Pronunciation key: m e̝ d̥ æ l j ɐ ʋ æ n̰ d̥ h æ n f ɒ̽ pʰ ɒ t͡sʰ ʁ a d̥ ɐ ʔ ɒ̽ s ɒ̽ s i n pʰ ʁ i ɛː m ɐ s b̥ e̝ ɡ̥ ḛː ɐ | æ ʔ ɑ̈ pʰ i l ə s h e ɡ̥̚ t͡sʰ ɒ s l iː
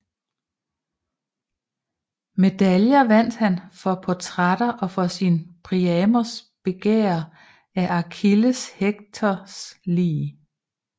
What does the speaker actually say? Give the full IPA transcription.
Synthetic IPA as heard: m e̝ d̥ æ l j ɐ ʋ æ n̰ d̥ h æ n f ɒ̽ pʰ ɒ t͡sʰ ʁ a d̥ ɐ ʔ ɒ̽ f ɒ̽ s i n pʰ ʁ i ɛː m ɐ s b̥ e̝ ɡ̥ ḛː ɐ | æ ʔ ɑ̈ kʰ i l ə s h e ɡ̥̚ t͡sʰ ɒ s l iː